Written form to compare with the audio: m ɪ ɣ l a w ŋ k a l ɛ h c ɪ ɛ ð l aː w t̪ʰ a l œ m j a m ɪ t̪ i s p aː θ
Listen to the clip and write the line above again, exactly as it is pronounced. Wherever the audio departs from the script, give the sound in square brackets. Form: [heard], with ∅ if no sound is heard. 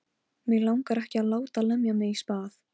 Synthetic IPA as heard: m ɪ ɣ l a w ŋ k a [ɾ] ɛ h c ɪ [a] ð l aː w [t̪] a l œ m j a m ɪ [∅] i s p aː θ